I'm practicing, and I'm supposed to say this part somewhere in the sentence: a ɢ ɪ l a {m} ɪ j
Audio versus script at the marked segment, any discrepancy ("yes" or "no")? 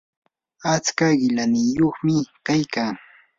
yes